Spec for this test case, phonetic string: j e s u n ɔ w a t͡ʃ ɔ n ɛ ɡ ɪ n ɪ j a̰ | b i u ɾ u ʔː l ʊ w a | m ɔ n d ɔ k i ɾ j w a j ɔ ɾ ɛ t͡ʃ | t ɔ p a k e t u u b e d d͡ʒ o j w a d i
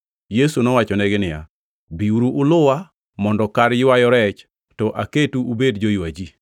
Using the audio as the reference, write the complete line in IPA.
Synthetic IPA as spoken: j e s u n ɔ w a t͡ʃ ɔ n ɛ ɡ ɪ n ɪ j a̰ | b i u ɾ u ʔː l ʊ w a | m ɔ n d ɔ k a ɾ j w a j ɔ ɾ ɛ t͡ʃ | t ɔ ʔ a k e t u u b e d d͡ʒ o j w a d͡ʒ i